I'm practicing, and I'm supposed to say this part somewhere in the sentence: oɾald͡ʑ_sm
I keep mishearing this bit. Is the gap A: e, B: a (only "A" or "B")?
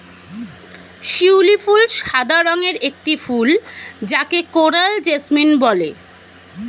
A